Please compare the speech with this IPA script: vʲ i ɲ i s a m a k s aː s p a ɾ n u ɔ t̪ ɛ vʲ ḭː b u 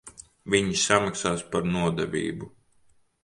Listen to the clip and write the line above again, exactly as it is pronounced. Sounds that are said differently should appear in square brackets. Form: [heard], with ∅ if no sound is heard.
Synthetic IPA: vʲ i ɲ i s a m a k s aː s p a ɾ n u ɔ [d̪] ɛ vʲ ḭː b u